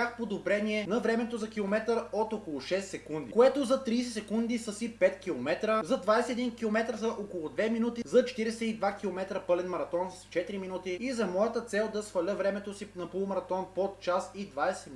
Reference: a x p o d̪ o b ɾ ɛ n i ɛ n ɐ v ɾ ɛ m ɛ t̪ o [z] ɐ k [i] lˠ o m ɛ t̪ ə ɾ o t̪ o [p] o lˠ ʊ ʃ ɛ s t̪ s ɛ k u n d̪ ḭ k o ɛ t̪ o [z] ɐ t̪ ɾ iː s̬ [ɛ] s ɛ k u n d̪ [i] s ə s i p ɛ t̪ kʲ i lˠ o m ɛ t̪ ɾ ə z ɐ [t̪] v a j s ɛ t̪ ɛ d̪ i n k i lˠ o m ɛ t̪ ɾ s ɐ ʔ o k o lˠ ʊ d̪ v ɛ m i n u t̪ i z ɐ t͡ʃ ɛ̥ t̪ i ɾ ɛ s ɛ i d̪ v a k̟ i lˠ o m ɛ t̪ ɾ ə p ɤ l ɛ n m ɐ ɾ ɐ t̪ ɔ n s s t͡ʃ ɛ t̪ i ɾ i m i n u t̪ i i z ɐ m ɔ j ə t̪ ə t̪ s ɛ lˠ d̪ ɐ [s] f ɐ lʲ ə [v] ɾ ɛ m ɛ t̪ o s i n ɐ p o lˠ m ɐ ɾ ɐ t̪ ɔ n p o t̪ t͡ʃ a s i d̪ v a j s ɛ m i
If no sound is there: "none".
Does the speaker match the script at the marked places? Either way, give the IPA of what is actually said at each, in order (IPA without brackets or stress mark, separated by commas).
z, i, k, z, ɛ, i, d̪, s, v